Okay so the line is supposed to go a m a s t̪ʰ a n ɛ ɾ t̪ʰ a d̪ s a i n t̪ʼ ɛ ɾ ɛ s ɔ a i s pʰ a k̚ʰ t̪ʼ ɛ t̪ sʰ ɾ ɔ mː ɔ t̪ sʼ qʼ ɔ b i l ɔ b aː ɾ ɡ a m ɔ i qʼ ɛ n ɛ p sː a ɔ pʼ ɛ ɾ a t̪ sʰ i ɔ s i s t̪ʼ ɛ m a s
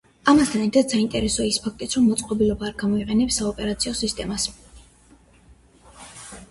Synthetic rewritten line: a m a s t̪ʰ a n ɛ ɾ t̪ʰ a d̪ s a i n t̪ʼ ɛ ɾ ɛ s ɔ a i s pʰ a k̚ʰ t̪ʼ i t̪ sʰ ɾ ɔ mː ɔ t̪ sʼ qʼ ɔ b i l ɔ b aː ɾ ɡ a m ɔ i qʼ ɛ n ɛ p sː a ɔ pʼ ɛ ɾ a t̪ sʰ i ɔ s i s t̪ʼ ɛ m a s